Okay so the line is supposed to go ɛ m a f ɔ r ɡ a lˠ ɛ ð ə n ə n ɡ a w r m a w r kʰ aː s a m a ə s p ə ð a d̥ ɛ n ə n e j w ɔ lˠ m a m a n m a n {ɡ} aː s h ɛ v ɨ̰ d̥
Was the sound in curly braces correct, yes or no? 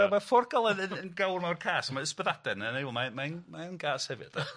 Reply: yes